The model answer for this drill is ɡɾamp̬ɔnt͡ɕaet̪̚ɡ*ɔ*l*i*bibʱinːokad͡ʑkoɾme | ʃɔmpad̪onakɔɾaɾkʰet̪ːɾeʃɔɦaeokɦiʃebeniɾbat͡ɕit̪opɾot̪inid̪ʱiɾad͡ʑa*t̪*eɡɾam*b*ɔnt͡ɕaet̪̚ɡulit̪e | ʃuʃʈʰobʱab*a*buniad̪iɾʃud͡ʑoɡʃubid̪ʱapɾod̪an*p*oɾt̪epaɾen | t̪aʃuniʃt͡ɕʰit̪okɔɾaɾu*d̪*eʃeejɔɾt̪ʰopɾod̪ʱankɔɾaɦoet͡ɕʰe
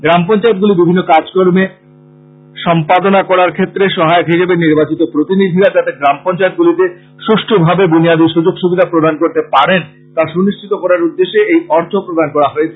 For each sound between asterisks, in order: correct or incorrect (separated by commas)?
incorrect, correct, correct, incorrect, incorrect, incorrect, incorrect